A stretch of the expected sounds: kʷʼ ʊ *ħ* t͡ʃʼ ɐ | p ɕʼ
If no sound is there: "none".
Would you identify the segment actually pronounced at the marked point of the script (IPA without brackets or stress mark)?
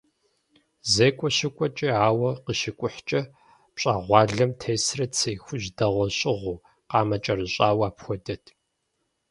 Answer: ħ